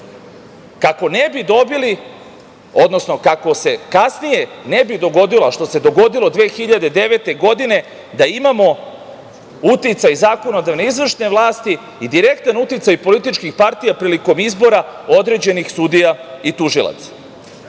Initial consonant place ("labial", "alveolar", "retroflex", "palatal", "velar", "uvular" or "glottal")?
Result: velar